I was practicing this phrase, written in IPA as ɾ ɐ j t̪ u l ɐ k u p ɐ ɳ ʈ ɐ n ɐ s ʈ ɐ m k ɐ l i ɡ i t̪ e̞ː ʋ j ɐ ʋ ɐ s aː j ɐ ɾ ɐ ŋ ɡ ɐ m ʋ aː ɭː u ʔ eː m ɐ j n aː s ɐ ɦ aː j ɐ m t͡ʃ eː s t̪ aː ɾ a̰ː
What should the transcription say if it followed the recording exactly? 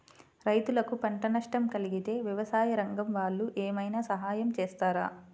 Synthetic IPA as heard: ɾ ɐ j t̪ u l ɐ k u p ɐ ɳ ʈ ɐ n ɐ ʂ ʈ ɐ m k ɐ l i ɡ i t̪ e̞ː ʋ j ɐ ʋ ɐ s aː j ɐ ɾ ɐ ŋ ɡ ɐ m ʋ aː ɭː u ʔ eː m ɐ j n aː s ɐ ɦ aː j ɐ m t͡ʃ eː s t̪ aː ɾ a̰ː

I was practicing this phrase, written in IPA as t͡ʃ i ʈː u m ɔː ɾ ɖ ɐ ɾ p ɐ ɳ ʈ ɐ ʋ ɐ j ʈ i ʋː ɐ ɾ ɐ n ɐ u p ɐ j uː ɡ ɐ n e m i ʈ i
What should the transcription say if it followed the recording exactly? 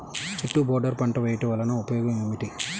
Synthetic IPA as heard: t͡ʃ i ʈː u b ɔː ɾ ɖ ɐ ɾ p ɐ ɳ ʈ ɐ ʋ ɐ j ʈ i ʋ ɐ l ɐ n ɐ u p ɐ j ɔː ɡ ɐ m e m i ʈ i

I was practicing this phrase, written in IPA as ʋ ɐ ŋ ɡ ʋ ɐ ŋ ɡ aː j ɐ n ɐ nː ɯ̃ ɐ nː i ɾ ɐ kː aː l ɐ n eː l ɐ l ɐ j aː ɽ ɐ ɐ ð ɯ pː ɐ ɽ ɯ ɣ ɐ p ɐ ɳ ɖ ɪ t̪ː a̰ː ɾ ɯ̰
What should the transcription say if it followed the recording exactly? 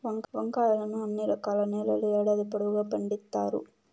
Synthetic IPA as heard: ʋ ɐ ŋ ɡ ʋ ɐ ŋ ɡ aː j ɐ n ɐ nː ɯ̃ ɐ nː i ɾ ɐ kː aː l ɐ n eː l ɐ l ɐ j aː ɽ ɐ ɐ ð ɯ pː ɐ ɽ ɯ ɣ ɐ p ɐ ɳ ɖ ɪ t̪ː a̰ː ɾ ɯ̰

